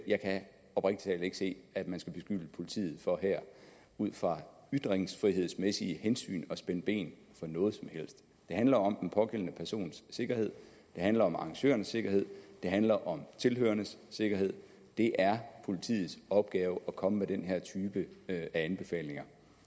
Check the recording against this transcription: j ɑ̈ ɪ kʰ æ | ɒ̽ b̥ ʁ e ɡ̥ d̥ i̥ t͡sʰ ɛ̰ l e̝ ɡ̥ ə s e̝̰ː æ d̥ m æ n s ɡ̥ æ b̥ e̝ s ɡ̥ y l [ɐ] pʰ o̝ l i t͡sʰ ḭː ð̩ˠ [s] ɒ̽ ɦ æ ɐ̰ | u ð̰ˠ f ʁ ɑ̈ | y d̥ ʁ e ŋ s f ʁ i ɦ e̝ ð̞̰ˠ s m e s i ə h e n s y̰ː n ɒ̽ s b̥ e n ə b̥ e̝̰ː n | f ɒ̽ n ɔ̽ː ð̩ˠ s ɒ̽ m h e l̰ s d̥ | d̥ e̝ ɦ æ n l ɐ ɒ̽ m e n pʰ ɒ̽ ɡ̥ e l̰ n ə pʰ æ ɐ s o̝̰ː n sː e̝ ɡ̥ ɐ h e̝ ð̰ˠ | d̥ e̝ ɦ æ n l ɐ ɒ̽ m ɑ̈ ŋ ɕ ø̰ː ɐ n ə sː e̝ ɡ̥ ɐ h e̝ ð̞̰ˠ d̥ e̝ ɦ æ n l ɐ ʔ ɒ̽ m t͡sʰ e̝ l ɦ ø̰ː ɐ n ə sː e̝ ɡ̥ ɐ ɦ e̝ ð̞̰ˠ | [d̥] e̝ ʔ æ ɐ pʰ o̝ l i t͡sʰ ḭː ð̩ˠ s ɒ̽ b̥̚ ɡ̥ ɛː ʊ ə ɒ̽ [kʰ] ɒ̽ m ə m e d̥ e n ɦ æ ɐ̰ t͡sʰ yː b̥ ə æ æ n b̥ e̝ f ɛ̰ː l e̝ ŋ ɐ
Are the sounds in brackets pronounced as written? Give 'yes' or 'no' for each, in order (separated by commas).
no, no, yes, yes